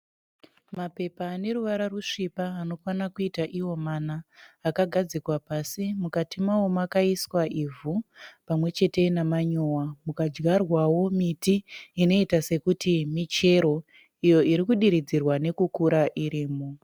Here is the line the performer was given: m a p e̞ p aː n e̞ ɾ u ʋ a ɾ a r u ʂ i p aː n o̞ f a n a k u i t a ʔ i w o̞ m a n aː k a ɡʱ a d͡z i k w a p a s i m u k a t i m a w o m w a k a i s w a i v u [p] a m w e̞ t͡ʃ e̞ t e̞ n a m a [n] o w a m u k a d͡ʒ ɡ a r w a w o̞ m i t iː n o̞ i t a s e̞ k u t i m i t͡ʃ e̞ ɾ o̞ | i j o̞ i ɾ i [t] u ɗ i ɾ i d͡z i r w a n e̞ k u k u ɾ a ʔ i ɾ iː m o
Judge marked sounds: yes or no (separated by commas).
yes, no, no